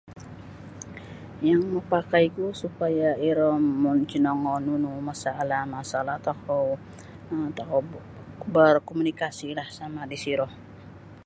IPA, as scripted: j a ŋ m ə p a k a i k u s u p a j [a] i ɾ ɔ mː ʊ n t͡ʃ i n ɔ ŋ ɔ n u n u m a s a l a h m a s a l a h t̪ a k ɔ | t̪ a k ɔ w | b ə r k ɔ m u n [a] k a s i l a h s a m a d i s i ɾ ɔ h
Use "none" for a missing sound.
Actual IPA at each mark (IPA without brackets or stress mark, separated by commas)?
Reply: a, i